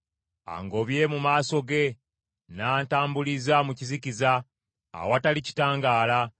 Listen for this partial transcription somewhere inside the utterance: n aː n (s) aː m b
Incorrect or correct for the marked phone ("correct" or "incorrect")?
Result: incorrect